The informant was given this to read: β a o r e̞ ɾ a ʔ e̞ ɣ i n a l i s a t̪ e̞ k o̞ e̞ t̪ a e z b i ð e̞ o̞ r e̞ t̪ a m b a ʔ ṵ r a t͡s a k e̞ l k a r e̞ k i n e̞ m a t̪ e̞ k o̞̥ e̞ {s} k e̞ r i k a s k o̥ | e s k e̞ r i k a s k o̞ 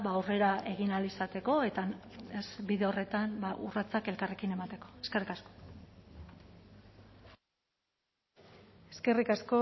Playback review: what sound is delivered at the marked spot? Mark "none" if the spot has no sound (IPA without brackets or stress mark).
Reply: s